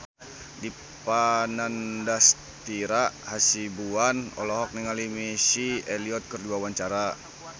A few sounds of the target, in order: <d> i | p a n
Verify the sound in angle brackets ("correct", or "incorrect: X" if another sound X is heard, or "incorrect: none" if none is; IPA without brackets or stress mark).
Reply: correct